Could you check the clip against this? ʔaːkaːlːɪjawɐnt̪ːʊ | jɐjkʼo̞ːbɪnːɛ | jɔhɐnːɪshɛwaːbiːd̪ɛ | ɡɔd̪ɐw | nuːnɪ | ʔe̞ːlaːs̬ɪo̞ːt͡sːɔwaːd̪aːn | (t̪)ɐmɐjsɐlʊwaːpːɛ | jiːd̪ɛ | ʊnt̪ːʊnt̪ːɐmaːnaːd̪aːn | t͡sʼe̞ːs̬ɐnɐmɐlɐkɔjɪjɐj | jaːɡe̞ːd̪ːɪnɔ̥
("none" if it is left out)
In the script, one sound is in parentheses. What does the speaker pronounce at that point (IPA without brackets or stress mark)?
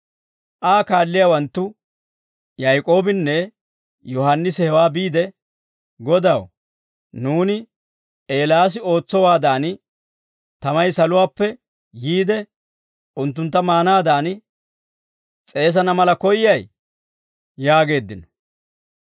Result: t̪